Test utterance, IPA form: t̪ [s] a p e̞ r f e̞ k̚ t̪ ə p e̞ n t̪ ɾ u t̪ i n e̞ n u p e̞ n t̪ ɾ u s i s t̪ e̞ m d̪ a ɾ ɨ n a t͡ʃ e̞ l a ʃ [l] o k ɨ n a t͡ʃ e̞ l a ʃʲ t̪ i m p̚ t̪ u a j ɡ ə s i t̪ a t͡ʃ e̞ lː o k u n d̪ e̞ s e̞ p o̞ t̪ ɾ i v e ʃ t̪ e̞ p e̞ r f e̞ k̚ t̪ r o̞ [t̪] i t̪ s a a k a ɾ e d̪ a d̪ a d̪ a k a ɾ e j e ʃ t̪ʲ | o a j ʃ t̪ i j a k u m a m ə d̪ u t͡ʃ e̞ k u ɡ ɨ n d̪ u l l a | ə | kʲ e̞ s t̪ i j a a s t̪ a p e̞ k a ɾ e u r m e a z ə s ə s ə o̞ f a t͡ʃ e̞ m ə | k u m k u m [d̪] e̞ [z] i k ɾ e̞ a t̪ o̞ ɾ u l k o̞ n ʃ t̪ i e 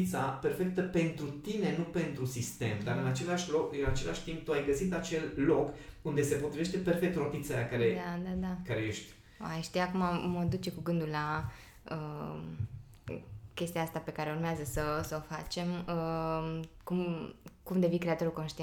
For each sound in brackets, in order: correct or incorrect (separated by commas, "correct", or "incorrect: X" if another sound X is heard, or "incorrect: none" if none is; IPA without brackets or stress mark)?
correct, correct, correct, correct, incorrect: v